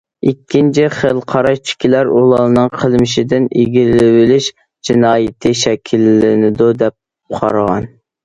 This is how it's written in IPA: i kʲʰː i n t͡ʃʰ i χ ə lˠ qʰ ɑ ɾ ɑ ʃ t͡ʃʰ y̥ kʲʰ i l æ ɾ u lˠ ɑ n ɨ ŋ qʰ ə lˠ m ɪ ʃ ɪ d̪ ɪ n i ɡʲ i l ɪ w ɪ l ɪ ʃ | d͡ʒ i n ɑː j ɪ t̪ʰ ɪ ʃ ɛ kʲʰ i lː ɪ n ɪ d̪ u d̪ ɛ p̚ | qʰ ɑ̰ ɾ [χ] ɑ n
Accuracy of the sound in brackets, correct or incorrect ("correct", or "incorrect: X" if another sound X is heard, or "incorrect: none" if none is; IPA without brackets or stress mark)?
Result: incorrect: ʁ